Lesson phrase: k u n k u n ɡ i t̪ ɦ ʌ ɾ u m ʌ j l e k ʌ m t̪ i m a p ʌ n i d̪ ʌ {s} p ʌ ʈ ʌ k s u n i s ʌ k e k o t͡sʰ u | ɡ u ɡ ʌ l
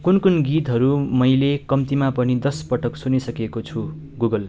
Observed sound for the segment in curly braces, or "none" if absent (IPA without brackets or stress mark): s